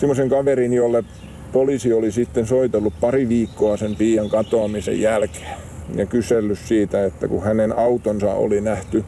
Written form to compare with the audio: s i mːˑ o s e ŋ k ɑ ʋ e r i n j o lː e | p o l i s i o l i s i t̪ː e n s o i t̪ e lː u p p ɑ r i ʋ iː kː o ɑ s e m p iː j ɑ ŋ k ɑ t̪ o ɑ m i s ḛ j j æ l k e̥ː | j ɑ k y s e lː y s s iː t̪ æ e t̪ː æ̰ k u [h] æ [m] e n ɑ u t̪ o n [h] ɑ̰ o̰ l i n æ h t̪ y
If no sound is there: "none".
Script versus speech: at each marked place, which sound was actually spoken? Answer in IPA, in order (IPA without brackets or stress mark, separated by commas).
h, n, s